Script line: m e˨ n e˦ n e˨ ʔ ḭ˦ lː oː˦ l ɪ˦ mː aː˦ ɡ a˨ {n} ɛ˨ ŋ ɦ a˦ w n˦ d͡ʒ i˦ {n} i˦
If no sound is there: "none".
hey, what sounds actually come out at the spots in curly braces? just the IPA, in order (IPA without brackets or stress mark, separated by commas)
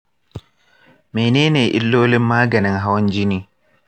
n, n